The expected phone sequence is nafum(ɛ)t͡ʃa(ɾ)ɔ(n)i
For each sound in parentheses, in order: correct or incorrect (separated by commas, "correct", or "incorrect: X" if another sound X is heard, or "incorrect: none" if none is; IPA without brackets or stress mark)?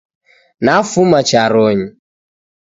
incorrect: a, correct, incorrect: ɲ